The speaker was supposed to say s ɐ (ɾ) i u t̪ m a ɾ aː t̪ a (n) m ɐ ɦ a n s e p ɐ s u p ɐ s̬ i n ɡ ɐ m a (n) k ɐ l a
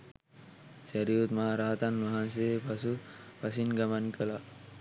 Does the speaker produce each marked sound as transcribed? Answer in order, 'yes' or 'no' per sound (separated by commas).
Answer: yes, yes, yes